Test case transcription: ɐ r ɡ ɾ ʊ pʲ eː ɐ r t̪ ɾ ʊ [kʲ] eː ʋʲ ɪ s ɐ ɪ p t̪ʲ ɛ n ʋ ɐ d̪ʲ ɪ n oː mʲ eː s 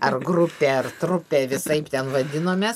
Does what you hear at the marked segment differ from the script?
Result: yes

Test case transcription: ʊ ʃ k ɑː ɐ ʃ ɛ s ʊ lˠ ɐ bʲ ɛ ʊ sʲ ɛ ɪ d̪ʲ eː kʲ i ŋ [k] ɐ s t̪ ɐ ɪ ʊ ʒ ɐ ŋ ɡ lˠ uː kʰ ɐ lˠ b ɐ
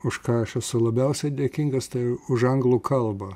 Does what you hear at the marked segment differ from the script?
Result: yes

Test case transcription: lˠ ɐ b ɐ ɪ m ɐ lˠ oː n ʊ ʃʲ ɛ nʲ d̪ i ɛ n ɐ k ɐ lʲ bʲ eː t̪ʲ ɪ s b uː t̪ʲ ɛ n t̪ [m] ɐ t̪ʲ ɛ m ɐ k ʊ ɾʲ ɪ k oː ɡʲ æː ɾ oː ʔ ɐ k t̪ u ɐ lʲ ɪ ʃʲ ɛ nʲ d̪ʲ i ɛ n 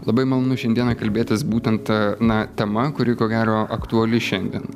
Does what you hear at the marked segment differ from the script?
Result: yes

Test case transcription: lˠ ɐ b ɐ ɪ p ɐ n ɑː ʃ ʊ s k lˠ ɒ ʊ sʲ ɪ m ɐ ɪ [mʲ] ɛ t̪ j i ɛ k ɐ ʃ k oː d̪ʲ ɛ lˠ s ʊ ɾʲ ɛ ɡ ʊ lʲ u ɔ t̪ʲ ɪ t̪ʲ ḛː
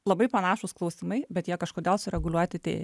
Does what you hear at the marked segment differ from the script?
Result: yes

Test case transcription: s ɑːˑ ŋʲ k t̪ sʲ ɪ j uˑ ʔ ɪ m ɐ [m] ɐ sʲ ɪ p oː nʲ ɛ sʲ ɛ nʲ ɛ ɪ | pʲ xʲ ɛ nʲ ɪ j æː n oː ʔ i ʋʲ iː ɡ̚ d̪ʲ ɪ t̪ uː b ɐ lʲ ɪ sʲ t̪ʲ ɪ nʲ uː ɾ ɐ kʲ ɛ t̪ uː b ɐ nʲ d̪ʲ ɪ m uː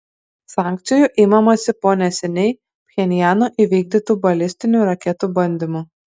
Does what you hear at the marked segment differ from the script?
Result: no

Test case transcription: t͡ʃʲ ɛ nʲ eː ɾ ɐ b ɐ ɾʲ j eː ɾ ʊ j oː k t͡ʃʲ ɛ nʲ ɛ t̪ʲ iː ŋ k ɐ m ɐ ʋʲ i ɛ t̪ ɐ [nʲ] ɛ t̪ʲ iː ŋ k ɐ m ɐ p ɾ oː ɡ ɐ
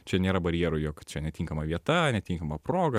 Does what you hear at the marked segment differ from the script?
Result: no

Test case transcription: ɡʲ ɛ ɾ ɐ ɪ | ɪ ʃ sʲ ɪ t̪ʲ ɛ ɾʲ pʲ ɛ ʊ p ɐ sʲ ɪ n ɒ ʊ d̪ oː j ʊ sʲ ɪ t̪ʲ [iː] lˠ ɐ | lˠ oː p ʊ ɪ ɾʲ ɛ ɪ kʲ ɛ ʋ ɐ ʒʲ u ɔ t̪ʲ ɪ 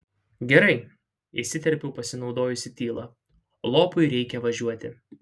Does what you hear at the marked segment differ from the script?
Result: no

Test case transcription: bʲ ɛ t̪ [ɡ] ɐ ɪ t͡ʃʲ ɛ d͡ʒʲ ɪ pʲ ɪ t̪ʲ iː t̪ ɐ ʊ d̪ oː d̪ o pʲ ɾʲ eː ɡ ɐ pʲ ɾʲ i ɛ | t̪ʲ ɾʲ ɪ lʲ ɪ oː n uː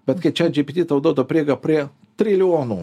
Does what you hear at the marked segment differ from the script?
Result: yes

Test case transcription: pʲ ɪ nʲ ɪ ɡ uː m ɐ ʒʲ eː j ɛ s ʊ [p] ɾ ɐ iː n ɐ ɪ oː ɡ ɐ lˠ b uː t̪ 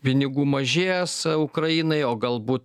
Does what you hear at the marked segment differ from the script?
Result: yes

